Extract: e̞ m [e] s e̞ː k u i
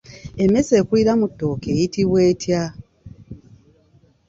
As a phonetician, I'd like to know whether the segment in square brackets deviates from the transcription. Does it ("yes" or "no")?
no